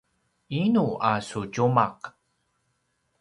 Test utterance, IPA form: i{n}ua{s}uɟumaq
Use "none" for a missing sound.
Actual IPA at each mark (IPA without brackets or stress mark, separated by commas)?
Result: n, s